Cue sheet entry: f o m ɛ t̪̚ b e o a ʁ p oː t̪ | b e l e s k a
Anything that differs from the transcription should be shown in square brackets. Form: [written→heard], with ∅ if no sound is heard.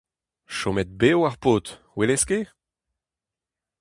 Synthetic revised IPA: [f→ʃ] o m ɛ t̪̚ b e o a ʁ p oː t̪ | [b→w] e l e s k [a→e]